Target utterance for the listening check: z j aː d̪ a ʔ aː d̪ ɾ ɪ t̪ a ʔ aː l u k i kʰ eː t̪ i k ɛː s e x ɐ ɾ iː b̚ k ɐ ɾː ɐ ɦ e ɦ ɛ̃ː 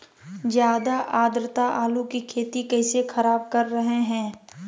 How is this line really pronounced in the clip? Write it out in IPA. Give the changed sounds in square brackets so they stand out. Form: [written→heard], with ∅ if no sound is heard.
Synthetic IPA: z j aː d̪ a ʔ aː d̪ ɾ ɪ t̪ a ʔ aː l u k i kʰ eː t̪ i k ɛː s e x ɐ ɾ [iː→aː] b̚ k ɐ ɾː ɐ ɦ e ɦ ɛ̃ː